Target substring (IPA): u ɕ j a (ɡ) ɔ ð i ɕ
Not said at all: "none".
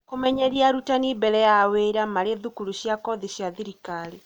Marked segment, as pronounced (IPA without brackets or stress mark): k